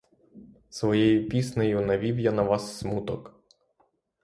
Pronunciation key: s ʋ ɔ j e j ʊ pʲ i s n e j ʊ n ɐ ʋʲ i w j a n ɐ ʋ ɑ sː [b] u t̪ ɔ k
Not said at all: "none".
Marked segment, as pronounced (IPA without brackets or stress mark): m